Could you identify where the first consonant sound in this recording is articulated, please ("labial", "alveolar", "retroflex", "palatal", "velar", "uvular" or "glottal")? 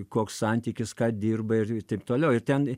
velar